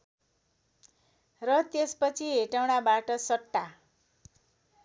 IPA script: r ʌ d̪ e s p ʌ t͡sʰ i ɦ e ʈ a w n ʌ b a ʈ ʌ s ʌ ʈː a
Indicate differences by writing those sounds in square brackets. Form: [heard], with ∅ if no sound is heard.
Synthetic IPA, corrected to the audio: r ʌ [t̪] e s p ʌ t͡sʰ i ɦ e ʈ a w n [a] b a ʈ ʌ s ʌ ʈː a

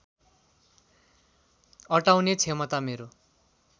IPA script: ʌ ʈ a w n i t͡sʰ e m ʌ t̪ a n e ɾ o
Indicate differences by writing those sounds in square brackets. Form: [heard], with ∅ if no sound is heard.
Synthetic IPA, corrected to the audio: ʌ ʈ a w n [e] t͡sʰ e m ʌ t̪ a [m] e ɾ o

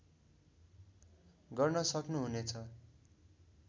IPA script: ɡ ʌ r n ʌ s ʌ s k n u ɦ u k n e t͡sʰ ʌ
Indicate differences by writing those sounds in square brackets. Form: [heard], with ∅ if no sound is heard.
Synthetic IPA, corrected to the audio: ɡ ʌ r n ʌ s ʌ [∅] k n u ɦ u [∅] n e t͡sʰ ʌ

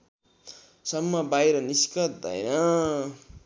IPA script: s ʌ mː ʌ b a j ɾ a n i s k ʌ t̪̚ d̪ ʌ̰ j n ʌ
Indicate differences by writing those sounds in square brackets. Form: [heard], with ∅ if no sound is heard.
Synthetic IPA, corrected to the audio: s ʌ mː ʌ b a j ɾ [ʌ] n i s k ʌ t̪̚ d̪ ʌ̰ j n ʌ

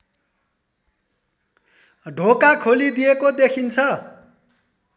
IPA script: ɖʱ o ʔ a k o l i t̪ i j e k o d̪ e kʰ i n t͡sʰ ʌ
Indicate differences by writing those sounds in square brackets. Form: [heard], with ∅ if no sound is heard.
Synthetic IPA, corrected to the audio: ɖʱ o [k] a [kʰ] o l i [d̪] i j e k o d̪ e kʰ i n t͡sʰ ʌ

